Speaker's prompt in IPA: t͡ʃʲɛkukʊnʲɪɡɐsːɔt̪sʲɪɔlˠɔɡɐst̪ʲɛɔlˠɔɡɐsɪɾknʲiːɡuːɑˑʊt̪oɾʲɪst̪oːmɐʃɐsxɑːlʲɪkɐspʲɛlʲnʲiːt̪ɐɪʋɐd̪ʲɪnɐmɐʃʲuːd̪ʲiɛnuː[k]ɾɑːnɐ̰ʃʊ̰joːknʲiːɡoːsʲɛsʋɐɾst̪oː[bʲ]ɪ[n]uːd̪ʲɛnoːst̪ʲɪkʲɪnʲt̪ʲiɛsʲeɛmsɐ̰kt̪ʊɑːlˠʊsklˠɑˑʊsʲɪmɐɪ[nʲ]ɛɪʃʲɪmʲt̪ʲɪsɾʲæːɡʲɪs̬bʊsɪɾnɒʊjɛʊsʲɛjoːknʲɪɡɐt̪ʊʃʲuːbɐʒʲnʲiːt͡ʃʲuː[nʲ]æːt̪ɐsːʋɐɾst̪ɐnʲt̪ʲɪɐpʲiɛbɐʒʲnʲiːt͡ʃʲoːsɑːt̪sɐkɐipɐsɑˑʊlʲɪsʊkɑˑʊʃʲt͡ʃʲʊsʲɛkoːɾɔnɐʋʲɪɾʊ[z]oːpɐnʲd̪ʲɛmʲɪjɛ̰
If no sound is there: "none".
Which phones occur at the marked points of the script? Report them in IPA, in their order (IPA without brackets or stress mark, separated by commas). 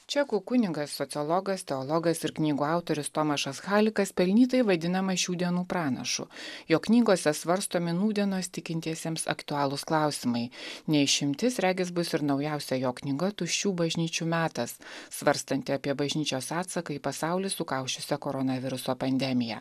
p, mʲ, n, nʲ, mʲ, s